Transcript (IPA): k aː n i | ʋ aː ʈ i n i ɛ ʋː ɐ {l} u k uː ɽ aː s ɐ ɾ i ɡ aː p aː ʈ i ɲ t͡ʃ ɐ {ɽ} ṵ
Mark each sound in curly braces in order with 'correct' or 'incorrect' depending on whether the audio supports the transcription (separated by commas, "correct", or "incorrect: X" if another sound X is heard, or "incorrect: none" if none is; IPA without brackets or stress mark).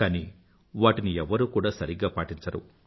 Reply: incorrect: ɾ, incorrect: ɾ